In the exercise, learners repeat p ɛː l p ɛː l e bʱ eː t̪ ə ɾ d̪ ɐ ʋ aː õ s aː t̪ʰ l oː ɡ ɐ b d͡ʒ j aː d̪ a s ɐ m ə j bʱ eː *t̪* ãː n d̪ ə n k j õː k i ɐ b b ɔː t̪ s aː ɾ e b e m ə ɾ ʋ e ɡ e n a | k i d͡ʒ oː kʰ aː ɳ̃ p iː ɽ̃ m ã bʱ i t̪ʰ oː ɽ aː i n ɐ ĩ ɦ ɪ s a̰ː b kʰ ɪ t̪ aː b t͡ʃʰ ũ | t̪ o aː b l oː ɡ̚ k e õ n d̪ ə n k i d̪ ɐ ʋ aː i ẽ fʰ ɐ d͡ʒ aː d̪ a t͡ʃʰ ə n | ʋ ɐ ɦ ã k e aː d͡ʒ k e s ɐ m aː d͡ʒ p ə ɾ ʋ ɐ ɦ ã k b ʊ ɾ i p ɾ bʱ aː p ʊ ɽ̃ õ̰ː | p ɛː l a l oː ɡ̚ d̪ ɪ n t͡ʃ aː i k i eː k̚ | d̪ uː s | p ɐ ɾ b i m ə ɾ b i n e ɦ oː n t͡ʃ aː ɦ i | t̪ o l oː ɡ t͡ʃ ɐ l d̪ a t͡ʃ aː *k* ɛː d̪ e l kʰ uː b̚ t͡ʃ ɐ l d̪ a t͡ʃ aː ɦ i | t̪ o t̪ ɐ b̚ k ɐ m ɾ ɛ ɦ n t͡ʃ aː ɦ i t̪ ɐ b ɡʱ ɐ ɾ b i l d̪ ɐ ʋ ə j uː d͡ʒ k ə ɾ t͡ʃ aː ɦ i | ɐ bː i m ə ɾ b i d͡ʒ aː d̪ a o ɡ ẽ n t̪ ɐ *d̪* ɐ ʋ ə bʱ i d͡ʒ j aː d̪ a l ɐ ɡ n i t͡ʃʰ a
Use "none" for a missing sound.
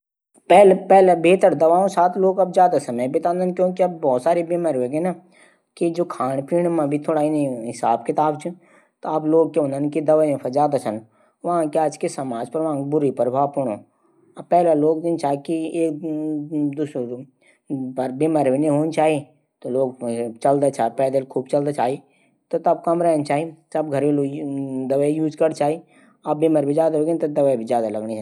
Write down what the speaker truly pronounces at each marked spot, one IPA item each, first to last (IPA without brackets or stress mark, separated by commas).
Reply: t̪, p, d̪